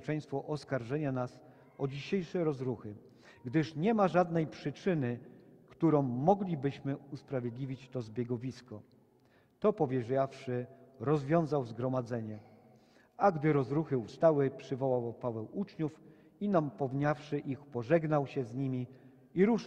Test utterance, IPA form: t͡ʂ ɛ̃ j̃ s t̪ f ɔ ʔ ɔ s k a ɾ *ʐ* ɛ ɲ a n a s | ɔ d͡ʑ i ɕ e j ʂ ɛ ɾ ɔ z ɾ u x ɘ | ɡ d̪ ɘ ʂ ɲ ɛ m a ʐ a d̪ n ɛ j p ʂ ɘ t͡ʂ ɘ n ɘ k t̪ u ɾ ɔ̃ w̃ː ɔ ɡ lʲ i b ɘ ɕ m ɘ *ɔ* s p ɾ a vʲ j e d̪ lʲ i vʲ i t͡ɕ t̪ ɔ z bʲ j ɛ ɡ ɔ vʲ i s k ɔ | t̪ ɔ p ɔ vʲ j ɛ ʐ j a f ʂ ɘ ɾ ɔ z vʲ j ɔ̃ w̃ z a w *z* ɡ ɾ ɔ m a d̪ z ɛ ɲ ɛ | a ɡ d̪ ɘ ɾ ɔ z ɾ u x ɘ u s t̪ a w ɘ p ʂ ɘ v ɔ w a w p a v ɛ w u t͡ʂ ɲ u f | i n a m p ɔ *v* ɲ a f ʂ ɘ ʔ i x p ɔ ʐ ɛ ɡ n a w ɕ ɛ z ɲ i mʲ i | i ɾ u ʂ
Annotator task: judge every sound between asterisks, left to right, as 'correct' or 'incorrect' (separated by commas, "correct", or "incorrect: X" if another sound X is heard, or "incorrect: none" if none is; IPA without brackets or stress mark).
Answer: correct, incorrect: u, correct, correct